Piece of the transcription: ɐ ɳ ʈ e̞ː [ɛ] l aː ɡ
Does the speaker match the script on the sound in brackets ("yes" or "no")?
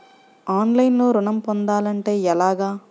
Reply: yes